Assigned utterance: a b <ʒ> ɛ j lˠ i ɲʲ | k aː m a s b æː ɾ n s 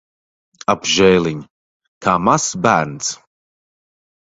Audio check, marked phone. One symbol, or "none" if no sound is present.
ʒ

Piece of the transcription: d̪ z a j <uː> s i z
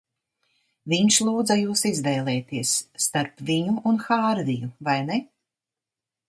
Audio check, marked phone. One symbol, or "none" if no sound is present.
uː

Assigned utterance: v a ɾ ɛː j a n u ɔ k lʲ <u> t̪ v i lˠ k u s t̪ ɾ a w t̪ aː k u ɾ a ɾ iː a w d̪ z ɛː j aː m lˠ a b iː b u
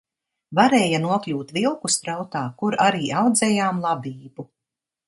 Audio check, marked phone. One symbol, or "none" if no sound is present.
uː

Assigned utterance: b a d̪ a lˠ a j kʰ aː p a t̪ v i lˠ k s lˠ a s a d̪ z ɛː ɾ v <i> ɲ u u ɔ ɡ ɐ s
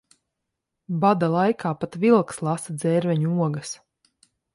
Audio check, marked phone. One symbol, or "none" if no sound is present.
ɛ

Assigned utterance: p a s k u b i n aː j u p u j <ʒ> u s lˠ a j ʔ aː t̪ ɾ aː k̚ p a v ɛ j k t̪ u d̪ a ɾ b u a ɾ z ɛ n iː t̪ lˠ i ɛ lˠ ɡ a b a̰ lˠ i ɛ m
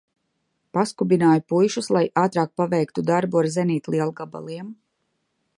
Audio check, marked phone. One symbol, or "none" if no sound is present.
ʃ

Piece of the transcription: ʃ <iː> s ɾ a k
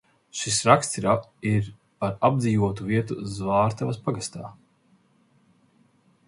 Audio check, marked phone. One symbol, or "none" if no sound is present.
i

